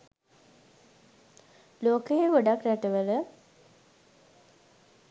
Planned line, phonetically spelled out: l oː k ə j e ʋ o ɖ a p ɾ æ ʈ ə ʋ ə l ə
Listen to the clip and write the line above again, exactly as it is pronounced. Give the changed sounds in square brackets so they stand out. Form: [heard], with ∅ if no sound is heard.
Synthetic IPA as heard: l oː k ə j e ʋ o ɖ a [k] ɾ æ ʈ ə ʋ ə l ə